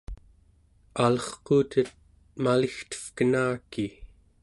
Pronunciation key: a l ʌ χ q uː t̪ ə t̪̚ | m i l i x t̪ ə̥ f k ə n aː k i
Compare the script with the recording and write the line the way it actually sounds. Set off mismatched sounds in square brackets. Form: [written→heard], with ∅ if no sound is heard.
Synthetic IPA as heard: a l ʌ χ q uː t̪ ə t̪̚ | m [i→a] l i x t̪ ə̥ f k ə n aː k i

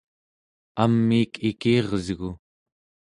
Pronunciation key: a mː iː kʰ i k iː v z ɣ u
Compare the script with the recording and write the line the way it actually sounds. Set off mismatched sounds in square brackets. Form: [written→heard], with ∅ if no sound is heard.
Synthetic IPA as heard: a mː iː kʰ i k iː [v→ʁ] z ɣ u

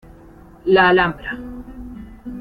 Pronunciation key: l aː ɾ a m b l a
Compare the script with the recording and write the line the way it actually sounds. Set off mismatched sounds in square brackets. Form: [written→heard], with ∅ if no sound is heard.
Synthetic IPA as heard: l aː [ɾ→l] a m b [l→ɾ] a

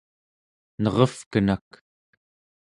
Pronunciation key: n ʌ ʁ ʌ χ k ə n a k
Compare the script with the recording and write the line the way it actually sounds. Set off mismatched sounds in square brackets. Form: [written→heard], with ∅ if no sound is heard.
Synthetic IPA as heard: n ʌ ʁ ʌ [χ→f] k ə n a k

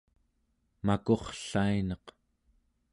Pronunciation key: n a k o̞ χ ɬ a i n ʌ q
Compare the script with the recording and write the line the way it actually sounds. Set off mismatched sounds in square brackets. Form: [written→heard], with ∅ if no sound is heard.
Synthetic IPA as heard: [n→m] a k o̞ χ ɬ a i n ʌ q

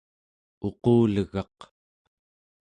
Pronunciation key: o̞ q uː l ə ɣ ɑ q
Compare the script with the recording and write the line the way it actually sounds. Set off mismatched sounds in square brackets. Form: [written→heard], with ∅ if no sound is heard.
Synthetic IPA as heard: o̞ q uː l ə ɣ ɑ q

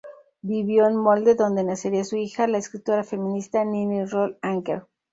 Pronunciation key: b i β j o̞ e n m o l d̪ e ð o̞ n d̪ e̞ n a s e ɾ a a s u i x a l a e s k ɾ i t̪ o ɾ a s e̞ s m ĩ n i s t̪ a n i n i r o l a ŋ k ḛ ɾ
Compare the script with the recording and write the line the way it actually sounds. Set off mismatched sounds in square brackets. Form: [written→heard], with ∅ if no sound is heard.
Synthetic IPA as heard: b i β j o̞ e n m o l d̪ e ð o̞ n d̪ e̞ n a s e ɾ [a→i] a s u i x a l a e s k ɾ i t̪ o ɾ a [s→f] e̞ [s→∅] m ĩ n i s t̪ a n i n i r o l a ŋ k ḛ ɾ

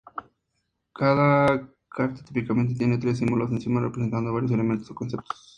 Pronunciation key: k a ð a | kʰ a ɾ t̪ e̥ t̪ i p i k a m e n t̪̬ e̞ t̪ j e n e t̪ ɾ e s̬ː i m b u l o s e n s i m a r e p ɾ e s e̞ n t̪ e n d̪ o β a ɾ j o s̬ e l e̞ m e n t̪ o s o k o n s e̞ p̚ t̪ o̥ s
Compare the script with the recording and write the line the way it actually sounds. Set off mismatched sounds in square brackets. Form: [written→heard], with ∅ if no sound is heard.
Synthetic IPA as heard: k a ð a | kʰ a ɾ t̪ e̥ t̪ i p i k a m e n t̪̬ e̞ t̪ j e n e t̪ ɾ e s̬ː i m b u l o s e n s i m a r e p ɾ e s e̞ n t̪ [e→a] n d̪ o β a ɾ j o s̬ e l e̞ m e n t̪ o s o k o n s e̞ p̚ t̪ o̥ s

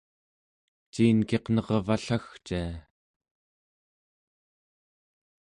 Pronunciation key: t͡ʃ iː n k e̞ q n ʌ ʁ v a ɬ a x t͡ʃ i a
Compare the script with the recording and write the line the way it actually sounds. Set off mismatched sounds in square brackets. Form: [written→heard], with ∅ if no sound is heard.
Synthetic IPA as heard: t͡ʃ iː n k e̞ q n ʌ ʁ v a ɬ a x t͡ʃ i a

